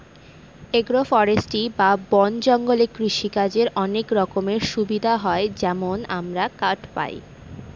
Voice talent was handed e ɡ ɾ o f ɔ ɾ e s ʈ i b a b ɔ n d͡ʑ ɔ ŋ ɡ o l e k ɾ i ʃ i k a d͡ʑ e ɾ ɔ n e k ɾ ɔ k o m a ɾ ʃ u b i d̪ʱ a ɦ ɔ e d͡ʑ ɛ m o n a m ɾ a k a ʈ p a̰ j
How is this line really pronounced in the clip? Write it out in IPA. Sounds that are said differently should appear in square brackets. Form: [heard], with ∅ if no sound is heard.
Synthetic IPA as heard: e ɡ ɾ o f ɔ ɾ e s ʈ i b a b ɔ n d͡ʑ ɔ ŋ ɡ o l e k ɾ i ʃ i k a d͡ʑ e ɾ ɔ n e k ɾ ɔ k o m [e] ɾ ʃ u b i d̪ʱ a ɦ ɔ e d͡ʑ ɛ m o n a m ɾ a k a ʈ p a̰ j